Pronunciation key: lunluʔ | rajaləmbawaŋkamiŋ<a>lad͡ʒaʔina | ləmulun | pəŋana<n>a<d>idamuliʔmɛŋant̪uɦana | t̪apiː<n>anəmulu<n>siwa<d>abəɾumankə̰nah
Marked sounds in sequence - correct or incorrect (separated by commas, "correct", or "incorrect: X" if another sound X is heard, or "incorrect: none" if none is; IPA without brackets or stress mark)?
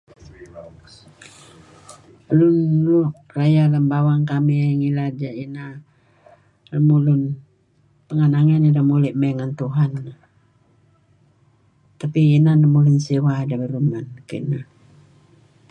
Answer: incorrect: i, incorrect: ŋ, incorrect: n, correct, correct, correct